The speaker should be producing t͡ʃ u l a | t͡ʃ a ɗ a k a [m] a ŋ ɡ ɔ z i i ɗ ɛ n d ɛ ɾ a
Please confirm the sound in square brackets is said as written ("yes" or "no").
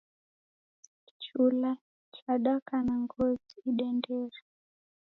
no